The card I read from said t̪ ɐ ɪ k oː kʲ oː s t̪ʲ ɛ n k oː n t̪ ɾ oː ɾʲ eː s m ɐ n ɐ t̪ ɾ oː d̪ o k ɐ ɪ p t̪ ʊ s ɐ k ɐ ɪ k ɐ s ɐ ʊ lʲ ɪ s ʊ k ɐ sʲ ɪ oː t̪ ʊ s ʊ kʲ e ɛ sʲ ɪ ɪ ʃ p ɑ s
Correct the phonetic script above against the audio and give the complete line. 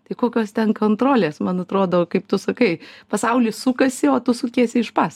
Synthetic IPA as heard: t̪ ɐ ɪ k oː kʲ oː s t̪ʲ ɛ n k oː n t̪ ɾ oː lʲ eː s m ɐ n ɐ t̪ ɾ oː d̪ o k ɐ ɪ p t̪ ʊ s ɐ k ɐ ɪ p ɐ s ɐ ʊ lʲ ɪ s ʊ k ɐ sʲ ɪ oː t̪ ʊ s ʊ kʲ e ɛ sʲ ɪ ɪ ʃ p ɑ s

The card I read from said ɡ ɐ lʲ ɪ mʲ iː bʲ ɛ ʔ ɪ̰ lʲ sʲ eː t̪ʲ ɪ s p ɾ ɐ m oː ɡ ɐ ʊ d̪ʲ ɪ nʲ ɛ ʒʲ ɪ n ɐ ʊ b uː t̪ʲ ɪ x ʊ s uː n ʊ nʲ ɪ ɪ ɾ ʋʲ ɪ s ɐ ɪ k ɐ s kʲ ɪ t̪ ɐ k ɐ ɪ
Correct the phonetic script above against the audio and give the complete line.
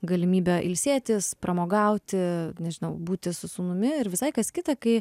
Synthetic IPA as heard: ɡ ɐ lʲ ɪ mʲ iː bʲ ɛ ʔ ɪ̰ lʲ sʲ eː t̪ʲ ɪ s p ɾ ɐ m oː ɡ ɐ ʊ t̪ʲ ɪ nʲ ɛ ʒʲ ɪ n ɐ ʊ b uː t̪ʲ ɪ s ʊ s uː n ʊ mʲ ɪ ɪ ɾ ʋʲ ɪ s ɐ ɪ k ɐ s kʲ ɪ t̪ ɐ k ɐ ɪ

